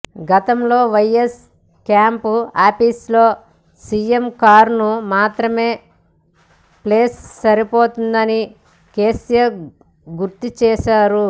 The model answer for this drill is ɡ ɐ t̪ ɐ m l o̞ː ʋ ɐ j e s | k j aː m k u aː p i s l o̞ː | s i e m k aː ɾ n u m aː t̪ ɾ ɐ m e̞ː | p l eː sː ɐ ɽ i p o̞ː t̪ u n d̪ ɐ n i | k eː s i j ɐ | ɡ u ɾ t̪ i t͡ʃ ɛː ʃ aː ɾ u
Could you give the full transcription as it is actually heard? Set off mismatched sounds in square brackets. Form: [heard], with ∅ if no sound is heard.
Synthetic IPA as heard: ɡ ɐ t̪ ɐ m l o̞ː ʋ ɐ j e s | k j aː m [p] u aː p i s l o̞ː | s i e m k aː ɾ n u m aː t̪ ɾ ɐ m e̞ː | p l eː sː ɐ [ɾ] i p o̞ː t̪ u n d̪ ɐ n i | k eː s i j ɐ | ɡ u ɾ t̪ i t͡ʃ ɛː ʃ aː ɾ u